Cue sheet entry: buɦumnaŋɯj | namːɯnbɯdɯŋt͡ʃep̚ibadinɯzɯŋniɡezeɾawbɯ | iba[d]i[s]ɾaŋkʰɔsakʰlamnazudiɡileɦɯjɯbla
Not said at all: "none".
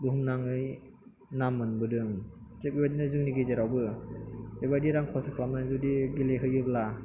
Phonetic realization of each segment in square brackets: d, none

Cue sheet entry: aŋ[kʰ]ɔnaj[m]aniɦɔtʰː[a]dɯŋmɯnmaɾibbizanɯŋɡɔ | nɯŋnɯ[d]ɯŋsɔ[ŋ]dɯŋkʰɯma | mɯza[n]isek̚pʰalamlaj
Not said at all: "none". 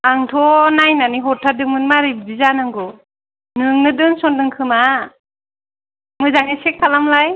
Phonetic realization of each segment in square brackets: tʰ, n, a, d, n, ŋ

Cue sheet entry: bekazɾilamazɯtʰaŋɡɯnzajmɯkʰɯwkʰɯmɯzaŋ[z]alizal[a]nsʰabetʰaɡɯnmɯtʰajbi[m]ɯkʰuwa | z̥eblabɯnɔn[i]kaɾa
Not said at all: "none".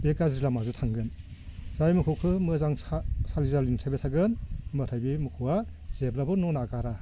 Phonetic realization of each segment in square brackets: s, i, m, a

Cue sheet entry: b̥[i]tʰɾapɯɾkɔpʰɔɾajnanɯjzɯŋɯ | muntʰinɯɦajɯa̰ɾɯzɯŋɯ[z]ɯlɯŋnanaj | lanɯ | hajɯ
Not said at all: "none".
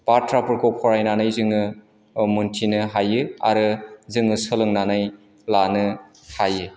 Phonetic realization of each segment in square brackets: a, s

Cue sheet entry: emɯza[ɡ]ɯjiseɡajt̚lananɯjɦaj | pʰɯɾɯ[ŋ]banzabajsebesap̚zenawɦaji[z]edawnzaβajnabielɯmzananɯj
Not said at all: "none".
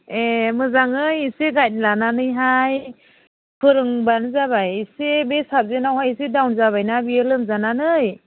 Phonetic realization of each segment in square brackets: ŋ, ŋ, s

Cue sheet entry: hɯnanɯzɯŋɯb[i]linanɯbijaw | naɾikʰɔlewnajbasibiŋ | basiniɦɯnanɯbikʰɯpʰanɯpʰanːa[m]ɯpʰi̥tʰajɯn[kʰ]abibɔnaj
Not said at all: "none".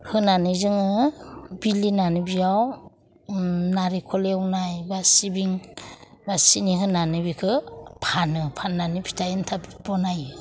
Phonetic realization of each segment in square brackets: i, n, tʰ

